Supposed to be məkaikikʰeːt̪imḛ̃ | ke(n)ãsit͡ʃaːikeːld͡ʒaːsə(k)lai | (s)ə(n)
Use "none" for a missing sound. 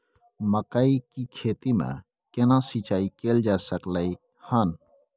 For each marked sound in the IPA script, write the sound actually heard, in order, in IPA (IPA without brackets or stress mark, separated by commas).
n, k, h, n